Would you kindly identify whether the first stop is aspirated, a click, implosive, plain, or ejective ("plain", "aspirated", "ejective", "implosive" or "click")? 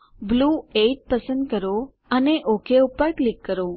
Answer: plain